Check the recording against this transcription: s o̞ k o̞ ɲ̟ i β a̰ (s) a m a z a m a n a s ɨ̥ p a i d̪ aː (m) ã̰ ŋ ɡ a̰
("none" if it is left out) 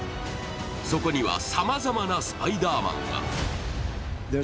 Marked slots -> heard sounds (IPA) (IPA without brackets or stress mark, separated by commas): s, m